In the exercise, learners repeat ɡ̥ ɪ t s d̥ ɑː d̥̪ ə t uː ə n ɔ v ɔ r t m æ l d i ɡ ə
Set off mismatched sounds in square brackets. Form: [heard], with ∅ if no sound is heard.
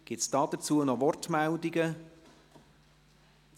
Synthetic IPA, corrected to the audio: ɡ̥ ɪ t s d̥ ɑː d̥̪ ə [t͡s] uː ə n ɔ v ɔ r t m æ l d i ɡ ə